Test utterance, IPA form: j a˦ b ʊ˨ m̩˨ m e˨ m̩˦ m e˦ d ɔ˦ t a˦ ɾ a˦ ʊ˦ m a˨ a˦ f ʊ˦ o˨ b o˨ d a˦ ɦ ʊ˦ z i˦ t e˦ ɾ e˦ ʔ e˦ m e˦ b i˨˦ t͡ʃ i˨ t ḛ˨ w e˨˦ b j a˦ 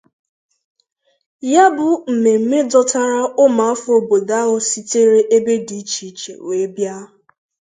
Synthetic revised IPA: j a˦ b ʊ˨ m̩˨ m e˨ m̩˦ m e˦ d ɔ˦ t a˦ ɾ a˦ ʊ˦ m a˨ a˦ f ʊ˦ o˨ b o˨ d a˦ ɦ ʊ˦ s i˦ t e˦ ɾ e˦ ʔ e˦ b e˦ d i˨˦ t͡ʃ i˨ t͡ʃ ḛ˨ w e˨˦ b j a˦